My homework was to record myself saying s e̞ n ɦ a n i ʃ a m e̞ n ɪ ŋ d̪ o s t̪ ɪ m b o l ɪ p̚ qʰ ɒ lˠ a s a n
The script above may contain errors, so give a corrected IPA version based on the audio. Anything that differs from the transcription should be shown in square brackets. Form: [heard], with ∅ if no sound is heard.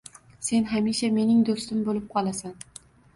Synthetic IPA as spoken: s e̞ n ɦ a [m] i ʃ a m e̞ n ɪ ŋ d̪ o s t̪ ɪ m b o l ɪ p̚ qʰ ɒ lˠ a s a n

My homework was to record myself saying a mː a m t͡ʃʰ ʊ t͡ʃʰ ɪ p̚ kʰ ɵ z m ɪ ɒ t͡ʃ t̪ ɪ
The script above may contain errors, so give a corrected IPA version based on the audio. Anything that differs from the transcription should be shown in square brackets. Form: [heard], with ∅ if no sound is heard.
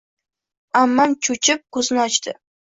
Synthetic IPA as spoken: a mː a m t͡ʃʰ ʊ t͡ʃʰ ɪ p̚ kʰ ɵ z [n] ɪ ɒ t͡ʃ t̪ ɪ

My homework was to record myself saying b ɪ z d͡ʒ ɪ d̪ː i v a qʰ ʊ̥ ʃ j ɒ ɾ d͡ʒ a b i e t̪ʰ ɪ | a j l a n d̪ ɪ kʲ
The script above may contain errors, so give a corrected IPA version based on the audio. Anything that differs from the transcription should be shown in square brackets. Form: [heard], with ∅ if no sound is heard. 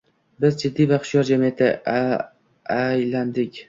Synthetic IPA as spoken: b ɪ z d͡ʒ ɪ d̪ː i v a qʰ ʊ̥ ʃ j ɒ ɾ d͡ʒ a [m] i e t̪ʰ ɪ | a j l a n d̪ ɪ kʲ

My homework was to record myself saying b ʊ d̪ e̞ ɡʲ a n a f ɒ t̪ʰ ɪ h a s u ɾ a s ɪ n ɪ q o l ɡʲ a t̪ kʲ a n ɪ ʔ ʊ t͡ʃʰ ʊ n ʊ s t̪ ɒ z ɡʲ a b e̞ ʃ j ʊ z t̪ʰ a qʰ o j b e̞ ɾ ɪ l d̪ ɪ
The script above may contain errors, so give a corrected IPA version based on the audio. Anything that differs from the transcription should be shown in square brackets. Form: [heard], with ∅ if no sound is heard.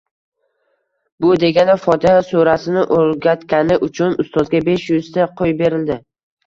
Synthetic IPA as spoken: b ʊ d̪ e̞ ɡʲ a n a f ɒ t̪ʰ ɪ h a s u ɾ a s ɪ n ɪ [ʔ] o l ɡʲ a t̪ kʲ a n ɪ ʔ ʊ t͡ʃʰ ʊ n ʊ s t̪ ɒ z ɡʲ a b e̞ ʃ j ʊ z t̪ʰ a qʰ o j b e̞ ɾ ɪ l d̪ ɪ

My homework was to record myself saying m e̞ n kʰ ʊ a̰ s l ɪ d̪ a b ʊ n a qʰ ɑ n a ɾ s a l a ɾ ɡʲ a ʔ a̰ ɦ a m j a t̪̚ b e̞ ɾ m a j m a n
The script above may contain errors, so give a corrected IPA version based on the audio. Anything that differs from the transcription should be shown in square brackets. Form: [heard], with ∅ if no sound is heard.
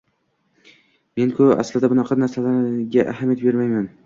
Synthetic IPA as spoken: m e̞ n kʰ ʊ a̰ s l ɪ d̪ a b ʊ n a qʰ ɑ n a ɾ s a l a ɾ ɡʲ a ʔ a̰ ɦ a m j a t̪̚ b e̞ ɾ m a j m a n

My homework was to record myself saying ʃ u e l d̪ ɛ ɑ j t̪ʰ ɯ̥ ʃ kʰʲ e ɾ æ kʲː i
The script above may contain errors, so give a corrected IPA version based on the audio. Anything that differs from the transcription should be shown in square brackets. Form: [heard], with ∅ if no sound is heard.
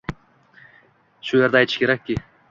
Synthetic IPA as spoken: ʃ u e [ɾ] d̪ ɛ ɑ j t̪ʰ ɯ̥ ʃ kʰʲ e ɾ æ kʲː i

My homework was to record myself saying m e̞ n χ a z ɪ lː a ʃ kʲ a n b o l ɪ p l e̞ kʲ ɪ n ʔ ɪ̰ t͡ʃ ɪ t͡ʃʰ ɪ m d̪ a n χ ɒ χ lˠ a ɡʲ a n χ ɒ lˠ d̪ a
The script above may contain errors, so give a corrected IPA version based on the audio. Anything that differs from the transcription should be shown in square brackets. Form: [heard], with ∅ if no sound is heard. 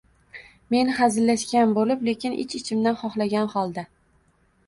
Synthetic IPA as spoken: m e̞ n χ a z ɪ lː a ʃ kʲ a n b o l ɪ p l e̞ kʲ ɪ n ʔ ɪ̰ t͡ʃ ɪ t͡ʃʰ ɪ m d̪ a n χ ɒ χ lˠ a ɡʲ a n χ ɒ lˠ d̪ a

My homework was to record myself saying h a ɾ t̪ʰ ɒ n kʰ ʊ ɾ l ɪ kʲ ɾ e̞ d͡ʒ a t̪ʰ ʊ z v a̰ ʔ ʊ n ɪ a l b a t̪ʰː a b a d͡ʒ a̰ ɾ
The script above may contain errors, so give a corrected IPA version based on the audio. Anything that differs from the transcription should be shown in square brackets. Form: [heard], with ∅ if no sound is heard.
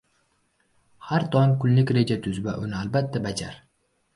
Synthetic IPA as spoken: h a ɾ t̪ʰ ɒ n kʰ ʊ [l] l ɪ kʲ ɾ e̞ d͡ʒ a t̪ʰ ʊ z v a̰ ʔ ʊ n ɪ a l b a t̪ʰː a b a d͡ʒ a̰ ɾ

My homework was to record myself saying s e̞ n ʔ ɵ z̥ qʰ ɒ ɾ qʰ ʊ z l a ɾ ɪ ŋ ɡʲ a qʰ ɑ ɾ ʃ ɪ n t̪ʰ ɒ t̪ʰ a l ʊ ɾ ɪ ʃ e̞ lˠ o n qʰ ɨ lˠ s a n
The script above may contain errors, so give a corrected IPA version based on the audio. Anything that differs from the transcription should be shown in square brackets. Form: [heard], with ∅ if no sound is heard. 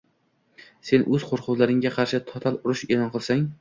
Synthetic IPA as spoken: s e̞ n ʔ ɵ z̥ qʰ [o] ɾ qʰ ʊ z l a ɾ ɪ ŋ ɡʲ a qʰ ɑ ɾ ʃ ɪ [∅] t̪ʰ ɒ t̪ʰ a l ʊ ɾ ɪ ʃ e̞ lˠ [ɒ] n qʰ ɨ lˠ s a [ŋ]

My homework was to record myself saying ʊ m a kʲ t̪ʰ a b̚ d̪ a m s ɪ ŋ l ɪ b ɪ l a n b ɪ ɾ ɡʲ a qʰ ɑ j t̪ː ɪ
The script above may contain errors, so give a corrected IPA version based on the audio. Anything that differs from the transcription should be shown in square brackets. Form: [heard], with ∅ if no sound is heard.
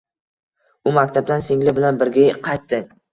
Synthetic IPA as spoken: ʊ m a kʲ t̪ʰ a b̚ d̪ a [n] s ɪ ŋ l ɪ b ɪ l a n b ɪ ɾ ɡʲ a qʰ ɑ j t̪ː ɪ

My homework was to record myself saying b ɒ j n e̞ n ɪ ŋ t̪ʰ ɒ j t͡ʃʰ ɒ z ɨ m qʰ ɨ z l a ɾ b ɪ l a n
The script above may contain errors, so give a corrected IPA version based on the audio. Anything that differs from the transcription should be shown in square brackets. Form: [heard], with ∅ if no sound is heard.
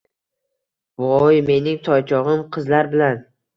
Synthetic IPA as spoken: [v] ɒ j [m] e̞ n ɪ ŋ t̪ʰ ɒ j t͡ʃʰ ɒ [ʁ] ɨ m qʰ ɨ z l a ɾ b ɪ l a n

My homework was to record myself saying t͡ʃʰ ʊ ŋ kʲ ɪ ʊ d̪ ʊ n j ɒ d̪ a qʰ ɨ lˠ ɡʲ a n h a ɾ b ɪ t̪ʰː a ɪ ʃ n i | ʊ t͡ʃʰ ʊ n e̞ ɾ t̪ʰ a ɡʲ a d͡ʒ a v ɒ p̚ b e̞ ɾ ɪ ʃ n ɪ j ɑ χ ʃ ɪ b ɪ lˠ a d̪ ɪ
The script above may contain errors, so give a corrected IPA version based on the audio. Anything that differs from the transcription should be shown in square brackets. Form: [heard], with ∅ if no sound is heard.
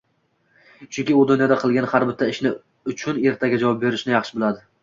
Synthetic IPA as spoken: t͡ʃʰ ʊ ŋ kʲ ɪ ʊ d̪ ʊ n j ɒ d̪ a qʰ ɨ lˠ ɡʲ a n h a ɾ b ɪ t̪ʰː a ɪ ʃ n [ɪ] | ʊ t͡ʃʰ ʊ n e̞ ɾ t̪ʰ a ɡʲ a d͡ʒ a v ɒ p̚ b e̞ ɾ ɪ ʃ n ɪ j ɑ χ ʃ ɪ b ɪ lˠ a d̪ ɪ

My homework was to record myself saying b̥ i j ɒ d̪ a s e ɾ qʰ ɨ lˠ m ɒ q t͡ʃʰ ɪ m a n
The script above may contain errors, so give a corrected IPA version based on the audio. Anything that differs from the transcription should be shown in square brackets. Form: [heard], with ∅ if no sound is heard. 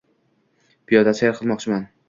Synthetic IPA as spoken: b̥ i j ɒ d̪ a s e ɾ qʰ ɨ lˠ m ɒ q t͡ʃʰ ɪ m a n

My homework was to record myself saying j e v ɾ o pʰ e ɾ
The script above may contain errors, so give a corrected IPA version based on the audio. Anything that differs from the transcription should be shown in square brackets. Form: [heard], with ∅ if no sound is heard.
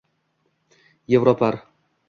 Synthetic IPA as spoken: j e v ɾ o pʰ [a] ɾ

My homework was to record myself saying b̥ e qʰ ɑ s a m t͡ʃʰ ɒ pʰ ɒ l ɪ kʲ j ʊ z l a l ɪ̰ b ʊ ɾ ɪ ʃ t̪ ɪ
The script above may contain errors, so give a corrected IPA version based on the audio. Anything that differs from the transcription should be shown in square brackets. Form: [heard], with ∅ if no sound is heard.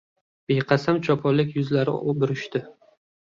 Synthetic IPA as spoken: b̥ e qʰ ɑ s a m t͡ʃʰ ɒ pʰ ɒ l ɪ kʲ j ʊ z l a [ɾ] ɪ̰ b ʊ ɾ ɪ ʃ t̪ ɪ

